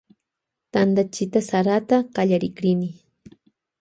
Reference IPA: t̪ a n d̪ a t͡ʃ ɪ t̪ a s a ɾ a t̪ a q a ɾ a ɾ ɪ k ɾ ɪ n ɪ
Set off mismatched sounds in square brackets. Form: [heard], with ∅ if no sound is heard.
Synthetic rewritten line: t̪ a n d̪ a t͡ʃ ɪ t̪ a s a ɾ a t̪ a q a [ʎ] a ɾ ɪ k ɾ ɪ n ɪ